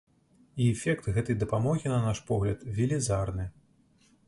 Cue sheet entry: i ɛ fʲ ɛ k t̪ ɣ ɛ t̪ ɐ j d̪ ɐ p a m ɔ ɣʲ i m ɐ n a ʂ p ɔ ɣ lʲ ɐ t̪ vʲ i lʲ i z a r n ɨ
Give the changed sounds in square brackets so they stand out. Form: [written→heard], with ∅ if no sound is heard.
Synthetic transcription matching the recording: i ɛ fʲ ɛ k t̪ ɣ ɛ t̪ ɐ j d̪ ɐ p a m ɔ ɣʲ i [m→n] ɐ n a ʂ p ɔ ɣ lʲ ɐ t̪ vʲ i lʲ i z a r n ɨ